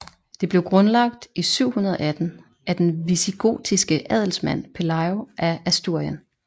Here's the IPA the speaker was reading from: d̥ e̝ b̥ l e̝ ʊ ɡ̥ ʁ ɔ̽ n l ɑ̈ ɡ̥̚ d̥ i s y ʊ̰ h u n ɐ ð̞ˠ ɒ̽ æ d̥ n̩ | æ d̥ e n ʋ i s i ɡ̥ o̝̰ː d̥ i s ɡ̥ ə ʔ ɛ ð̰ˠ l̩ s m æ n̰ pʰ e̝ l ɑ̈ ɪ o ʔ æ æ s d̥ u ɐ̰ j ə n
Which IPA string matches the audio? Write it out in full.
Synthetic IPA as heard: d̥ e̝ b̥ l e̝ ʊ ɡ̥ ʁ ɔ̽ n l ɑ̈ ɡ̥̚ d̥ i s y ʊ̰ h u n ɐ ð̞ˠ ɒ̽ æ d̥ n̩ | æ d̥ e n ʋ i s i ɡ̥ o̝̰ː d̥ i s ɡ̥ ə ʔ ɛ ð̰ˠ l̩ s m æ n̰ pʰ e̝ l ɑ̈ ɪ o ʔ æ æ s d̥ u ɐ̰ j ə n